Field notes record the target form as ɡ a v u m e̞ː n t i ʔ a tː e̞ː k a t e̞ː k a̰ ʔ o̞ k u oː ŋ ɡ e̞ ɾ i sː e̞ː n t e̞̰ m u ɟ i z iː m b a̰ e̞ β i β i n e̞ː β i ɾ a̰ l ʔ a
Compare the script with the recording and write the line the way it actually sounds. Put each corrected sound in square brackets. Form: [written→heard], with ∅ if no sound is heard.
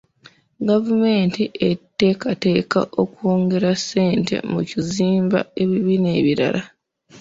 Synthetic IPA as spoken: ɡ a v u m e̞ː n t i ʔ [a→e] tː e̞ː k a t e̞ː k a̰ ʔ o̞ k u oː ŋ ɡ e̞ ɾ [i→a] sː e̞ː n t e̞̰ m u [ɟ→c] i z iː m b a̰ e̞ β i β i n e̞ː β i ɾ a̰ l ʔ a